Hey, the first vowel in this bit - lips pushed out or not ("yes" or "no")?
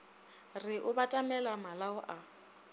no